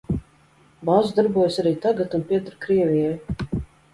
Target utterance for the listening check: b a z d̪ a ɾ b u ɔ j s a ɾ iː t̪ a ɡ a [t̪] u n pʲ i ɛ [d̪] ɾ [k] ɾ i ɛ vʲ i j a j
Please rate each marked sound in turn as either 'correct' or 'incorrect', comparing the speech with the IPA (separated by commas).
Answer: correct, incorrect, correct